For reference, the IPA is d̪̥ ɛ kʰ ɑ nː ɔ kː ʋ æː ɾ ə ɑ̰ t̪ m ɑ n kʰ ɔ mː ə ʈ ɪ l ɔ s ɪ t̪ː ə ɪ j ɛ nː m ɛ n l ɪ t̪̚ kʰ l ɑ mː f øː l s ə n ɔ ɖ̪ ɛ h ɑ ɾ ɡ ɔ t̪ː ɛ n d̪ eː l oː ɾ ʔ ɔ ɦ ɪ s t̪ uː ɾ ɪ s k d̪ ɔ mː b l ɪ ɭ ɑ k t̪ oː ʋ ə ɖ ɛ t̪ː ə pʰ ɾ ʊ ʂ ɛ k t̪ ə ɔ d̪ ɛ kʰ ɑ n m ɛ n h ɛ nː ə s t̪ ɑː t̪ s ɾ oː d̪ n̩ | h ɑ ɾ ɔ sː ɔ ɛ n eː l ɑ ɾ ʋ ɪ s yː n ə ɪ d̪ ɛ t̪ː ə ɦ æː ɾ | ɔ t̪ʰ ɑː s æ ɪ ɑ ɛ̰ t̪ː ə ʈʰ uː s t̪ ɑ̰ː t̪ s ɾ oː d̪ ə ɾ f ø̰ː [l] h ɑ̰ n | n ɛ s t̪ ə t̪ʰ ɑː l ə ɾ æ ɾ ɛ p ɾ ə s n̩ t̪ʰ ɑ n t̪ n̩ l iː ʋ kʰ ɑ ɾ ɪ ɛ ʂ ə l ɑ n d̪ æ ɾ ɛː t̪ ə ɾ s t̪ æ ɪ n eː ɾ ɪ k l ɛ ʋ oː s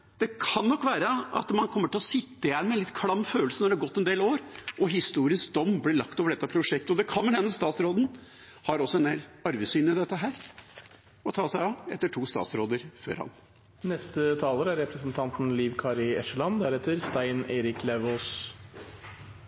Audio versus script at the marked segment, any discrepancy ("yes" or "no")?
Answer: yes